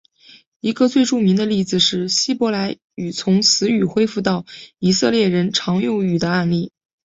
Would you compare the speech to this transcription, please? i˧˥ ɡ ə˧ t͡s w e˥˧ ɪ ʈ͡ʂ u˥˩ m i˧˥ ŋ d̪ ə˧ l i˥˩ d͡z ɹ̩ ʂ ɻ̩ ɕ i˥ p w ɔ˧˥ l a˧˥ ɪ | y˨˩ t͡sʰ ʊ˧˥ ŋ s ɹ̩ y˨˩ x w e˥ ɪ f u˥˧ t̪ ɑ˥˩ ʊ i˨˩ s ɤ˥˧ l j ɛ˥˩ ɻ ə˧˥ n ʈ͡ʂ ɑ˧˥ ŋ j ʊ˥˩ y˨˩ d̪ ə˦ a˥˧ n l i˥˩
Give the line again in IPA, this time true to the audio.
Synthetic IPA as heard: i˧˥ ɡ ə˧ t͡s w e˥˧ ɪ ʈ͡ʂ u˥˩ m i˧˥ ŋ d̪ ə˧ l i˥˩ d͡z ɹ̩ ʂ ɻ̩ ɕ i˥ p w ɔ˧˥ l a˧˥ ɪ | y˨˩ t͡sʰ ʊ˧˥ ŋ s ɹ̩ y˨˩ x w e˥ ɪ f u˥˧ t̪ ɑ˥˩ ʊ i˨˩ s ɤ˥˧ l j ɛ˥˩ ɻ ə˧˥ n ʈ͡ʂʰ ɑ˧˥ ŋ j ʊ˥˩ y˨˩ d̪ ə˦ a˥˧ n l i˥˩